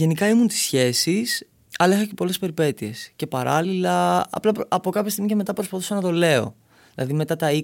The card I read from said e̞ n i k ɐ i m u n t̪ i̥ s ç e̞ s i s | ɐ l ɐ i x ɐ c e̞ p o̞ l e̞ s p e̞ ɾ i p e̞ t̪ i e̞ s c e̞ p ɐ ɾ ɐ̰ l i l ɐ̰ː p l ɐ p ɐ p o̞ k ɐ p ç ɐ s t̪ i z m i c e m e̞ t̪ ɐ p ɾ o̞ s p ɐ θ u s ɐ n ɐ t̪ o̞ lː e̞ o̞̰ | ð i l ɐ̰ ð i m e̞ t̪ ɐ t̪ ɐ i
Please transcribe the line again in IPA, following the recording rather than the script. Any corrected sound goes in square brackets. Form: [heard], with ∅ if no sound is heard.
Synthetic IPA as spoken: e̞ n i k ɐ i m u n t̪ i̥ s ç e̞ s i s | ɐ l ɐ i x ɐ c e̞ p o̞ l e̞ s p e̞ ɾ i p e̞ t̪ i e̞ s c e̞ p ɐ ɾ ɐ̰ l i l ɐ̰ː p l ɐ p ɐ p o̞ k ɐ p ç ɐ s t̪ i [ɣ] m i c e m e̞ t̪ ɐ p ɾ o̞ s p ɐ θ u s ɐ n ɐ t̪ o̞ [l] e̞ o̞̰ | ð i l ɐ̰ ð i m e̞ t̪ ɐ t̪ ɐ i